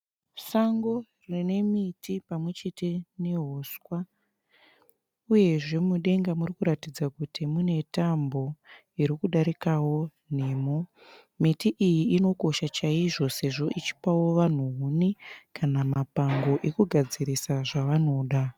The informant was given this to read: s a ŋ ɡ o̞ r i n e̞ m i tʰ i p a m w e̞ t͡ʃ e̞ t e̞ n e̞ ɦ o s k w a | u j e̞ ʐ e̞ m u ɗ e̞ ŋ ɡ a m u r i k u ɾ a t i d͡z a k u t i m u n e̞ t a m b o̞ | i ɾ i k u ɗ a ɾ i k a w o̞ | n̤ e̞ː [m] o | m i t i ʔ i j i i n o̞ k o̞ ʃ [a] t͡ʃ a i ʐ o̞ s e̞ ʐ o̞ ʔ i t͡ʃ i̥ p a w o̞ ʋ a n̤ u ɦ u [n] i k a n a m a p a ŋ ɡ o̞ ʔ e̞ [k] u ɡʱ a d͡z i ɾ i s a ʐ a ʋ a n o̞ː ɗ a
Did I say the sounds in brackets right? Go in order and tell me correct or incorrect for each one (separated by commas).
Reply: correct, correct, correct, correct